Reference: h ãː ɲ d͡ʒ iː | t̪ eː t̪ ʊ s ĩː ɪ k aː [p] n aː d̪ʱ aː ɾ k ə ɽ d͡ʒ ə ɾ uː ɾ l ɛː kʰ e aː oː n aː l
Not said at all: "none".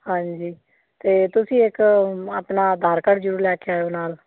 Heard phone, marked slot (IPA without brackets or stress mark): p